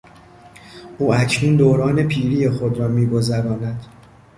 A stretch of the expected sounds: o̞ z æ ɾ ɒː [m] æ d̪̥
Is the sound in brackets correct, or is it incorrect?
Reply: incorrect